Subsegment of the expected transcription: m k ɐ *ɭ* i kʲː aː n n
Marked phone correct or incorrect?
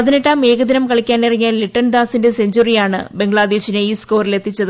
correct